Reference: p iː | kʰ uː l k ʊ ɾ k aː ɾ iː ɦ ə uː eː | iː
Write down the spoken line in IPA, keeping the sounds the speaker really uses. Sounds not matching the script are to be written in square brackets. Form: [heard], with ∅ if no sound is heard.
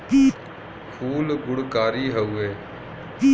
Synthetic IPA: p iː | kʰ uː l [ɡ] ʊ [ɽ] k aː ɾ iː ɦ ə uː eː | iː

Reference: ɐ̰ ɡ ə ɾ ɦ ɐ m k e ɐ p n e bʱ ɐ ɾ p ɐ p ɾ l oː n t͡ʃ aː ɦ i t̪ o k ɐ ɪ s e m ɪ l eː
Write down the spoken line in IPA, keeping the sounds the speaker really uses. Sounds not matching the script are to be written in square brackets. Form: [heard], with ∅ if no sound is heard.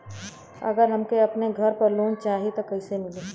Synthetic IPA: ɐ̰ ɡ ə ɾ ɦ ɐ m k e ɐ p n e [ɡʱ] ɐ ɾ p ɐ [∅] ɾ l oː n t͡ʃ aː ɦ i t̪ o k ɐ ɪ s e m ɪ l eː

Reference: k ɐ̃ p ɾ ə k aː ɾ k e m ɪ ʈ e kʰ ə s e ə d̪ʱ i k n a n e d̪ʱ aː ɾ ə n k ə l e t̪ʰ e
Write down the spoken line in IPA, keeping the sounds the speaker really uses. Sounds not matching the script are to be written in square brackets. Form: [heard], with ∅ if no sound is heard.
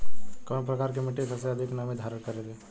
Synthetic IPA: k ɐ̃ p ɾ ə k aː ɾ k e m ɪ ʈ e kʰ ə s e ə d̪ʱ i k n a [m] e d̪ʱ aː ɾ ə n k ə [ɾ] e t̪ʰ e

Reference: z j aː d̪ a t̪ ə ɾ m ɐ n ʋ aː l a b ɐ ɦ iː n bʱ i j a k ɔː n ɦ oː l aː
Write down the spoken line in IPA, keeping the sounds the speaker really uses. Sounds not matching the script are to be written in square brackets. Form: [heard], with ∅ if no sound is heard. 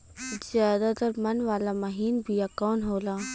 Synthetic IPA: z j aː d̪ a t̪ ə ɾ m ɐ n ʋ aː l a [m] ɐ ɦ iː n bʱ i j a k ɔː n ɦ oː l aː

